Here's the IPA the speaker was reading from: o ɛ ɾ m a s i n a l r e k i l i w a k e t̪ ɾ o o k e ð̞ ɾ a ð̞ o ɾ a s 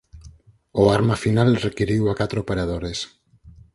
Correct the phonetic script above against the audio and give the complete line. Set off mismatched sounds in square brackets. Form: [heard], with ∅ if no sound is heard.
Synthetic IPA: o [a] ɾ m a [f] i n a l r e k i [ɾ] i w a k [a] t̪ ɾ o o [p] e [∅] ɾ a ð̞ o ɾ [e] s